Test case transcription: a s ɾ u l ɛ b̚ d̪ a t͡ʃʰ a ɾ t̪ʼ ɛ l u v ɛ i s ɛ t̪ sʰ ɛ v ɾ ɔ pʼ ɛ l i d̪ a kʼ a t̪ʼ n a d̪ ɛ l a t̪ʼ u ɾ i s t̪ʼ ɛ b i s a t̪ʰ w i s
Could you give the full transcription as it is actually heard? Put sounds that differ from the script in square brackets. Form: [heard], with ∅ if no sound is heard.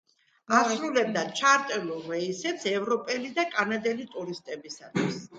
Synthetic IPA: a s ɾ u l ɛ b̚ d̪ a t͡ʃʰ a ɾ t̪ʼ ɛ l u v ɛ i s ɛ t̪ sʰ ɛ v ɾ ɔ pʼ ɛ l i d̪ a kʼ a [∅] n a d̪ ɛ l [i] t̪ʼ u ɾ i s t̪ʼ ɛ b i s a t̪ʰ w i s